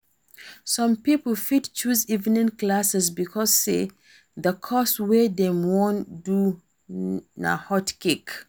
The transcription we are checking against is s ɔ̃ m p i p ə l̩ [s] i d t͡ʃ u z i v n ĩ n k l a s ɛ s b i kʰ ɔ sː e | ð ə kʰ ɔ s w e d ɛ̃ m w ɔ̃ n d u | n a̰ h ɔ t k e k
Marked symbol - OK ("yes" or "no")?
no